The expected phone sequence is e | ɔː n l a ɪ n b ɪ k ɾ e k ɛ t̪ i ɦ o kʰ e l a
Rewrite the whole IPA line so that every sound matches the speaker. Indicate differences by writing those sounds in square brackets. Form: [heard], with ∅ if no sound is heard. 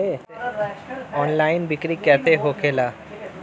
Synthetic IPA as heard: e | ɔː n l a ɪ n b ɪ k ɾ [i] k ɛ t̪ [e] ɦ o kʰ e l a